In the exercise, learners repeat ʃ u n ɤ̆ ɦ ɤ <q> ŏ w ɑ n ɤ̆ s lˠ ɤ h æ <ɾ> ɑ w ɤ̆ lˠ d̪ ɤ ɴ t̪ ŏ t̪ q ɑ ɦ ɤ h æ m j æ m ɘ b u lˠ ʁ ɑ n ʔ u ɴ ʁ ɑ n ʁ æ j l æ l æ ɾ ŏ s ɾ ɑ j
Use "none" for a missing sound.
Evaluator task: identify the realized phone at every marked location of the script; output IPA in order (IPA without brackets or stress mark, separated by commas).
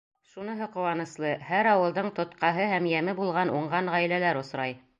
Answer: q, ɾ